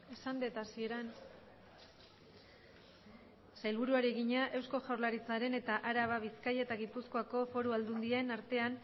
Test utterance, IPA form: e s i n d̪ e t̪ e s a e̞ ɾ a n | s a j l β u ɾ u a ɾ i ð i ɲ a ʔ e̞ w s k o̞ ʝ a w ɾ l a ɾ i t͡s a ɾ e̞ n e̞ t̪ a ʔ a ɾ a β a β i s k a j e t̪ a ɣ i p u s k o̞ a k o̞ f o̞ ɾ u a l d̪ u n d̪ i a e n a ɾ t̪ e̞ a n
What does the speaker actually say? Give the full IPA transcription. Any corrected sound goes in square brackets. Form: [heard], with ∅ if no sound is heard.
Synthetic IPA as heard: e s [a] n d̪ e t̪ [a] s [i] e̞ ɾ a n | s a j l β u ɾ u a ɾ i [ɣ] i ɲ a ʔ e̞ w s k o̞ ʝ a w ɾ l a ɾ i t͡s a ɾ e̞ n e̞ t̪ a ʔ a ɾ a β a β i s k a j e t̪ a ɣ i p u s k o̞ a k o̞ f o̞ ɾ u a l d̪ u n d̪ i a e n a ɾ t̪ e̞ a n